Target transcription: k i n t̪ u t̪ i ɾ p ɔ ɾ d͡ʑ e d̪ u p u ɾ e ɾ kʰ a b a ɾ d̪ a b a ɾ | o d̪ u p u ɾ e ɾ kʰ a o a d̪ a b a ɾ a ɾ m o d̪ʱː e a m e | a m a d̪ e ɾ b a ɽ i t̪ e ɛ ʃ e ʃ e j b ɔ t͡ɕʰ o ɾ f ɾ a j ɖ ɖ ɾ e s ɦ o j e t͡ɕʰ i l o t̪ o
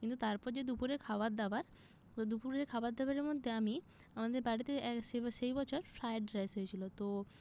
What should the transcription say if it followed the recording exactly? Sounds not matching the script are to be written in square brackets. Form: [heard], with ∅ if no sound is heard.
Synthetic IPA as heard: k i n t̪ u t̪ [a] ɾ p ɔ ɾ d͡ʑ e d̪ u p u ɾ e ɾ kʰ a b a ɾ d̪ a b a ɾ | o d̪ u p u ɾ e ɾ kʰ a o a d̪ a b a ɾ [e] ɾ m o d̪ʱː e a m [i] | a m a d̪ e ɾ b a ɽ i t̪ e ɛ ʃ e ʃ e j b ɔ t͡ɕʰ o ɾ f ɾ a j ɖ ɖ ɾ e s ɦ o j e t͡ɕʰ i l o t̪ o